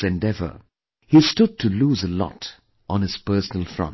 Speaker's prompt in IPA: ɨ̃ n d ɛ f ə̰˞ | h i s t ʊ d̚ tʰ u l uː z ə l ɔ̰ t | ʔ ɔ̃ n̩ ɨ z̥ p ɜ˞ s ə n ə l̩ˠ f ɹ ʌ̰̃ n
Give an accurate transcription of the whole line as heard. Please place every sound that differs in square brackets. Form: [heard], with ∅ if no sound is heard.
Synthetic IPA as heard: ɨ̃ n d ɛ [v] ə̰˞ | h i s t ʊ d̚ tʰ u l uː z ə l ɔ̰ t | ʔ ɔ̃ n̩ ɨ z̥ p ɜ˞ s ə n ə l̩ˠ f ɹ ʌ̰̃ n